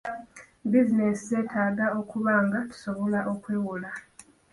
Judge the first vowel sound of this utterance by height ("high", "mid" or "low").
high